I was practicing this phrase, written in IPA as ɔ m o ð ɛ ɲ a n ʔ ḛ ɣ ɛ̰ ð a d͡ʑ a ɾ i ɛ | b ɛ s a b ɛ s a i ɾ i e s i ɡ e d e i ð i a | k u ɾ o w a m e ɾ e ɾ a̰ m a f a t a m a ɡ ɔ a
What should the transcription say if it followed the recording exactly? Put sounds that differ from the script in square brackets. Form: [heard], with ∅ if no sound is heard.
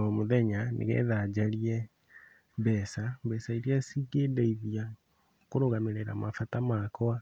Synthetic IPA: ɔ m o ð ɛ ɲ a n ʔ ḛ ɣ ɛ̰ ð a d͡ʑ a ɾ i ɛ | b ɛ s a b ɛ s a i ɾ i [a] s i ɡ e d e i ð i a | k [o] ɾ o [ɣ] a m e ɾ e ɾ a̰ m a f a t a m a [k] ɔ a